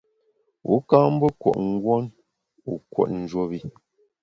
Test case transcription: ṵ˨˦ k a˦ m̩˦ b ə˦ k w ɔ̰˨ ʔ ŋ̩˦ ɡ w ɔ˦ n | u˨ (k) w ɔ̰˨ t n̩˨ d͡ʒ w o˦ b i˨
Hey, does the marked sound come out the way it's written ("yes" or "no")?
yes